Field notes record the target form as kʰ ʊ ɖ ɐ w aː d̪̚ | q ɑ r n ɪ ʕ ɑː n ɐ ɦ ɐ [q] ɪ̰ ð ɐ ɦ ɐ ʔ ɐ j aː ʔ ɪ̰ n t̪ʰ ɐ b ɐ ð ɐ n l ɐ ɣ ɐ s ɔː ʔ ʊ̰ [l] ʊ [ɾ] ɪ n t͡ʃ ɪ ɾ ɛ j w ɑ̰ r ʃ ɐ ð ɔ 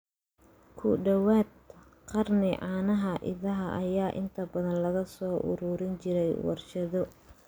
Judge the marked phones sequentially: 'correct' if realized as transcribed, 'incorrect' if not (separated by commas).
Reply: incorrect, incorrect, correct